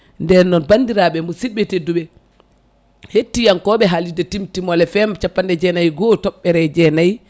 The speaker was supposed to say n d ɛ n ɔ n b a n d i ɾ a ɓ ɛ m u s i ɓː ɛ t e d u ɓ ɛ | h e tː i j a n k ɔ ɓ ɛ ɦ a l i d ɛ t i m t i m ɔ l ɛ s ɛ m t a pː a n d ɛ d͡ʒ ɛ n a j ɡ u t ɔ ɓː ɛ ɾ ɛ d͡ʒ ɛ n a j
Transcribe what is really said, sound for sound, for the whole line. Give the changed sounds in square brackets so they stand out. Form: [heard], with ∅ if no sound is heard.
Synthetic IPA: n d ɛ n ɔ n b a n d i ɾ a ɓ ɛ m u s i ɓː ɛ t e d u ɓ ɛ | h e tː i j a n k ɔ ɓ ɛ ɦ a l i d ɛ t i m t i m ɔ l ɛ [f] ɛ m [t͡ʃ] a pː a n d ɛ d͡ʒ ɛ n a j ɡ [ɔ] t ɔ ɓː ɛ ɾ ɛ d͡ʒ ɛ n a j